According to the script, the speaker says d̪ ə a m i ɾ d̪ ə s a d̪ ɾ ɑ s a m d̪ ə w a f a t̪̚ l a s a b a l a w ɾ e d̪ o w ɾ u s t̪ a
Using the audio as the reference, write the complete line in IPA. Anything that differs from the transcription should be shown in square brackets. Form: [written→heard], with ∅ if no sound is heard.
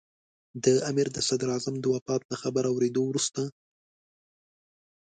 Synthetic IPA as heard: d̪ ə a m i ɾ d̪ ə s a d̪ ɾ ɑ [s→z] a m d̪ ə w a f [a→ɑ] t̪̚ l a [s→x] a b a [l→ɾ] a w ɾ e d̪ o w ɾ u s t̪ a